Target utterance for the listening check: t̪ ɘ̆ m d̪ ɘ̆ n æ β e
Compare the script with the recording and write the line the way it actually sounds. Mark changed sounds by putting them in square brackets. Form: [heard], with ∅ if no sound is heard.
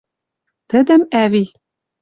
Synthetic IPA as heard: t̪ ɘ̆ [∅] d̪ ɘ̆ [m] æ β [i]